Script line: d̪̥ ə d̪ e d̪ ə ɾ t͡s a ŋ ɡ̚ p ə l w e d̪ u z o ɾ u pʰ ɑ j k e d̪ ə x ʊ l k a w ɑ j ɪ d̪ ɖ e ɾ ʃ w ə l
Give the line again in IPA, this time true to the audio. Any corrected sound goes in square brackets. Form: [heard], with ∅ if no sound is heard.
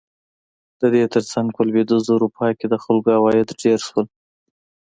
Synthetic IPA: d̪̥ ə d̪ e [t̪] ə ɾ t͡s a ŋ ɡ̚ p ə l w e d̪ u z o ɾ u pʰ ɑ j k e d̪ ə x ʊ l [ɡ] a w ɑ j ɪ d̪ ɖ e ɾ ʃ w ə l

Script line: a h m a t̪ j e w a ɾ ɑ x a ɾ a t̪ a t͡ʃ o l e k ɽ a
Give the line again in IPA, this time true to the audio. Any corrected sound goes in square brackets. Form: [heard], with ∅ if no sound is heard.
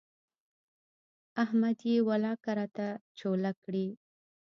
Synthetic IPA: a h m a [d̪] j e w a [l] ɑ [k] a ɾ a t̪ a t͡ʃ o l [a] k ɽ [i]

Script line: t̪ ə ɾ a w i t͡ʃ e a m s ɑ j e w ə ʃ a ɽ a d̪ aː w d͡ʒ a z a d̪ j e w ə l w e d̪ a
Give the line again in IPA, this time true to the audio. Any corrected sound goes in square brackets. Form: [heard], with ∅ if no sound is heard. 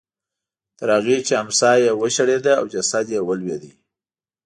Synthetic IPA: t̪ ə ɾ a [ɣ] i t͡ʃ e a m s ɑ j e w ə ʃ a ɽ [e] d̪ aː w d͡ʒ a [s] a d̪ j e w ə l w e d̪ [i]

